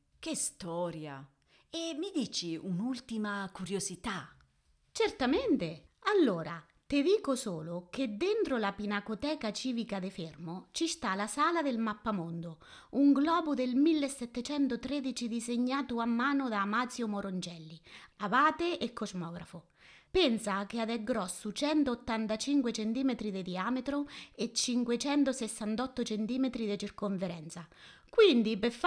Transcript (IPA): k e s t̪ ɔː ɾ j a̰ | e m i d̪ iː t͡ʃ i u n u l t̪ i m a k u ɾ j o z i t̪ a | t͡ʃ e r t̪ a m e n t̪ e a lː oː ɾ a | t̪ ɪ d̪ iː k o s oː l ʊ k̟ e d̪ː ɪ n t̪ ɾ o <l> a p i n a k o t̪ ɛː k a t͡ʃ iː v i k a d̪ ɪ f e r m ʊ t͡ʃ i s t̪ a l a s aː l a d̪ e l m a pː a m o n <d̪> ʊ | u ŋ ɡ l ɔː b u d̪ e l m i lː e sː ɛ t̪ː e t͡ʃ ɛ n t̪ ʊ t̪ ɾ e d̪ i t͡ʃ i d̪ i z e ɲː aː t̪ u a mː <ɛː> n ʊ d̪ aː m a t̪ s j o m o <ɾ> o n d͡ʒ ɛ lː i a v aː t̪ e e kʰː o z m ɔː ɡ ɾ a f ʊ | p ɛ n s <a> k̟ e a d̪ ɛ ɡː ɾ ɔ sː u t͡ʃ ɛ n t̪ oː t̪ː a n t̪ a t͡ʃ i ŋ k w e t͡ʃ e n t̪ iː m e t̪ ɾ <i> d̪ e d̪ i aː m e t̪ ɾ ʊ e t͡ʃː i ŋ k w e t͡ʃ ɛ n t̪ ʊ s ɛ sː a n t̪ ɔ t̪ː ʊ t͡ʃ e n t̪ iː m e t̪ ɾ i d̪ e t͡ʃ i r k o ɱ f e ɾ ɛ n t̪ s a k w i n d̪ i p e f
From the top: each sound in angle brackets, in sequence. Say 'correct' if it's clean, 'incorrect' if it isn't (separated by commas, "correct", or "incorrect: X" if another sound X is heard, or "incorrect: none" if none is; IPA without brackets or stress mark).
correct, correct, incorrect: aː, correct, correct, correct